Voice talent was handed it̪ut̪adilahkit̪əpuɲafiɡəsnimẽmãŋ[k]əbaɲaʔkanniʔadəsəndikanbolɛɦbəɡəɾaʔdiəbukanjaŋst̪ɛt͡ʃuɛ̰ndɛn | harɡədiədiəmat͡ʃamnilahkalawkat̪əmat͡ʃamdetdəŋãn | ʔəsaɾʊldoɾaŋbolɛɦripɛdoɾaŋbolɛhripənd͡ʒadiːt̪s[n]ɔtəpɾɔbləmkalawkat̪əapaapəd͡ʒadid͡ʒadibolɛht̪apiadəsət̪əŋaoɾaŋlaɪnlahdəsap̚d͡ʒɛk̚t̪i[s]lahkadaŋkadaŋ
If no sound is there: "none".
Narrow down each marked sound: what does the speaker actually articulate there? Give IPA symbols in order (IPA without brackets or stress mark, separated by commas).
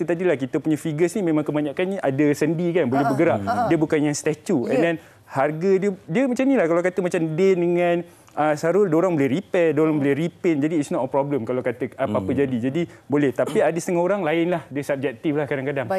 k, n, f